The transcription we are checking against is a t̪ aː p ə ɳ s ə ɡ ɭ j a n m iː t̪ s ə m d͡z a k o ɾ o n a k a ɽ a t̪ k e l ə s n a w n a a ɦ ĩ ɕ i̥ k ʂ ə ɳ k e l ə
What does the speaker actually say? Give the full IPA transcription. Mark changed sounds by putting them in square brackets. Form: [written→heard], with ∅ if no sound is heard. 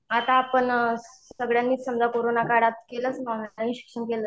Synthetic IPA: a t̪ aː p ə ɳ s ə ɡ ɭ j a n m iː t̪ s ə m d͡z a k o ɾ o n a k a ɽ a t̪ k e l ə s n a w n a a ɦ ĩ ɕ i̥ k ʂ ə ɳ k e l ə